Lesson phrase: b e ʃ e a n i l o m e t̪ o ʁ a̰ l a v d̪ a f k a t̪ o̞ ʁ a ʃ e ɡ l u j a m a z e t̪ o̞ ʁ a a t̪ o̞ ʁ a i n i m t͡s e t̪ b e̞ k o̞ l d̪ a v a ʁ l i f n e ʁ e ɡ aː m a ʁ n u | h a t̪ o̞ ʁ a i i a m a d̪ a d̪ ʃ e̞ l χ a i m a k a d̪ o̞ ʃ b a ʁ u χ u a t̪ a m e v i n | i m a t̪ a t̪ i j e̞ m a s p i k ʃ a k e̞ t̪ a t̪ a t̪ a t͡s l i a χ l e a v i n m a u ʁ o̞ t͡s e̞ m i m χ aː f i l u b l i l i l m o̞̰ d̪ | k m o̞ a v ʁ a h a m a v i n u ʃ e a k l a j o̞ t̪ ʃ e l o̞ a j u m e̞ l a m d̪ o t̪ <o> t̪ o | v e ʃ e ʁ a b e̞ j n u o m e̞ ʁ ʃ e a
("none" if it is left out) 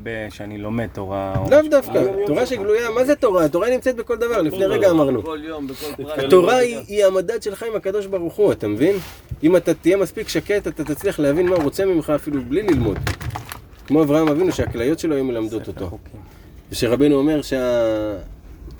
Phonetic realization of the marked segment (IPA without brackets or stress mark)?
o